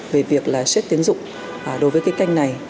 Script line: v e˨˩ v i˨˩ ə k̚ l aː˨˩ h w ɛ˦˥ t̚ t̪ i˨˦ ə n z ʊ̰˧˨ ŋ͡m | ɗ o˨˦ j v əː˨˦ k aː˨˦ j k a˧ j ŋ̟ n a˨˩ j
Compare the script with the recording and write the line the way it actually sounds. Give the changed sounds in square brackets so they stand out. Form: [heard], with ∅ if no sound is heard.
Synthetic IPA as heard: v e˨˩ v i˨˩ ə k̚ l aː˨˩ [s] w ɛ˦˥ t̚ t̪ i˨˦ ə n z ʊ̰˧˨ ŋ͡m | ɗ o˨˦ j v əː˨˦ k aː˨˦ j k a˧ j ŋ̟ n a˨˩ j